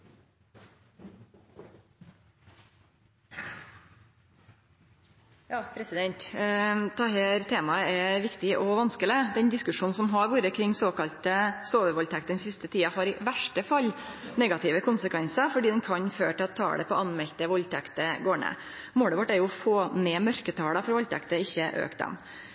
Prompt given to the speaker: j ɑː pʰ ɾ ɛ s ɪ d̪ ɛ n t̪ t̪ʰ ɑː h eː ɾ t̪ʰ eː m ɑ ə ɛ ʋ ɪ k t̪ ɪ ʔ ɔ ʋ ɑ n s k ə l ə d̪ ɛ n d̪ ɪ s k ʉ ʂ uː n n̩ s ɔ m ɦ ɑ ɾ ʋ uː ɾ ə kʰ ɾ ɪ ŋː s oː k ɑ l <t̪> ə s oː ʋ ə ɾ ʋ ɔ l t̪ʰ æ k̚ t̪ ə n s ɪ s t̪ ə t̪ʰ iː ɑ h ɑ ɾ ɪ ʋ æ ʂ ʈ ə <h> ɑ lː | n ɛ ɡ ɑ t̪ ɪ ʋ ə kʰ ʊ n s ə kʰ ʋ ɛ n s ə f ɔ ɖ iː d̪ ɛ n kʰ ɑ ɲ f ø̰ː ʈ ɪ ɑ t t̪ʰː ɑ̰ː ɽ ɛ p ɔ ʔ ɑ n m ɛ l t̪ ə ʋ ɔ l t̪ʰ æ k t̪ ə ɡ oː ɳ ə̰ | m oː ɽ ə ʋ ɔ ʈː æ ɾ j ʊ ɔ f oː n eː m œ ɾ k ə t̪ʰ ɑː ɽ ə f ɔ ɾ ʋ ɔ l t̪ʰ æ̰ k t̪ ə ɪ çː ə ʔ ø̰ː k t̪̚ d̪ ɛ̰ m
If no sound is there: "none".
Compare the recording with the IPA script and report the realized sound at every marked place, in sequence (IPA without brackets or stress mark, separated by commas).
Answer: t̪, f